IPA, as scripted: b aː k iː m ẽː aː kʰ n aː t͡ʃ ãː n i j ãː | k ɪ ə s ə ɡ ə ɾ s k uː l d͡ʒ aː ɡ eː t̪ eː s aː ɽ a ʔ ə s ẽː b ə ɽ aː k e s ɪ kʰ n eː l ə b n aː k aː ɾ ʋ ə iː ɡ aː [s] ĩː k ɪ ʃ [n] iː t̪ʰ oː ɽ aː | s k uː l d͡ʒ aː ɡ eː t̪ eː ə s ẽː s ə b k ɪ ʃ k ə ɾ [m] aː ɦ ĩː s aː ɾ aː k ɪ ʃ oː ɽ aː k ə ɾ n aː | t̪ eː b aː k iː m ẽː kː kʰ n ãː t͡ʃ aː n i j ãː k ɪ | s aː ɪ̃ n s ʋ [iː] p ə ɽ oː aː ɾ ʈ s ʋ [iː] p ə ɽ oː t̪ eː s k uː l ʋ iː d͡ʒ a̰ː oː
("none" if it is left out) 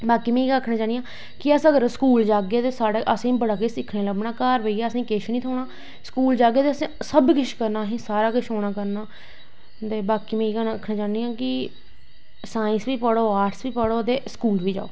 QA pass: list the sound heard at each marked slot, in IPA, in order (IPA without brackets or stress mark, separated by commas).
s, n, n, iː, iː